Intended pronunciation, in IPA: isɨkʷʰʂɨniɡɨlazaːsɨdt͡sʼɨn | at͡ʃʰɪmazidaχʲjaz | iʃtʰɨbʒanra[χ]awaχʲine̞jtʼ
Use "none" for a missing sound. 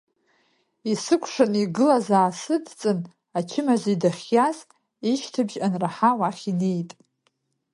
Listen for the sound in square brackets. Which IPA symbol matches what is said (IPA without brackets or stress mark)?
ħ